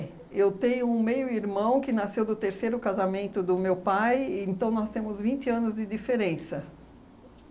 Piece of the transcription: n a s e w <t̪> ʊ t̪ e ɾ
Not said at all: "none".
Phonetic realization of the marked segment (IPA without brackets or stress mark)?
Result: d̪